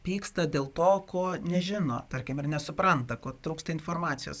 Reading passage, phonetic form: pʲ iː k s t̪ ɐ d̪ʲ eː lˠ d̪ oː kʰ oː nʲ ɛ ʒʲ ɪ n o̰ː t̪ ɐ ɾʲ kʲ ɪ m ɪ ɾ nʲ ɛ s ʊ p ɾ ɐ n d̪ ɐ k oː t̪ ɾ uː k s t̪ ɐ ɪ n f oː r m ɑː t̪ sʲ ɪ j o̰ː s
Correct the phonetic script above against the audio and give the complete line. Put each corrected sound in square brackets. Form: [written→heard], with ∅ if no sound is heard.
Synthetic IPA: pʲ iː k s t̪ ɐ d̪ʲ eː lˠ [d̪→t̪] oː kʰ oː nʲ ɛ ʒʲ ɪ n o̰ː t̪ ɐ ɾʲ kʲ ɪ m ɪ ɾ nʲ ɛ s ʊ p ɾ ɐ n [d̪→t̪] ɐ k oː t̪ ɾ uː k s t̪ ɐ ɪ n f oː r m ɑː t̪ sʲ ɪ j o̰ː s